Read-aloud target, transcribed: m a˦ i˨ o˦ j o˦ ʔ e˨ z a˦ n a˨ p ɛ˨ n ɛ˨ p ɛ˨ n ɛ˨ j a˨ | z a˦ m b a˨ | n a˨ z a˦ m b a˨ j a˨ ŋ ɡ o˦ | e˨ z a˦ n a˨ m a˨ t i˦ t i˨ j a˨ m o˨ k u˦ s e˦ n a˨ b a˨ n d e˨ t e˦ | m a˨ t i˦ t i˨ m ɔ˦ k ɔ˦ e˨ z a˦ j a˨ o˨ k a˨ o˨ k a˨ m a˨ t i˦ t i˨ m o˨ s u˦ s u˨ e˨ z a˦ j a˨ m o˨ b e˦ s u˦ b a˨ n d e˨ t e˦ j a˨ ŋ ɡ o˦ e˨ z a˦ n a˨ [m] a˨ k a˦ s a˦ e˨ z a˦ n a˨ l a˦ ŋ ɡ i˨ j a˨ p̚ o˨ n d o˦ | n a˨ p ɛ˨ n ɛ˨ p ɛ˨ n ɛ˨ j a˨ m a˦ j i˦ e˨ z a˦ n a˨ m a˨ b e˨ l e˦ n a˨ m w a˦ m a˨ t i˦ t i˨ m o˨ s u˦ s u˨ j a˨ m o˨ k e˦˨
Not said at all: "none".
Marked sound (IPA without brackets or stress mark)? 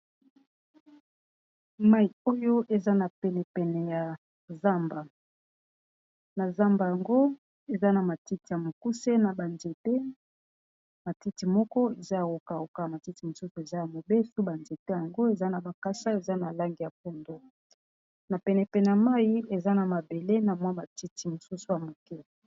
b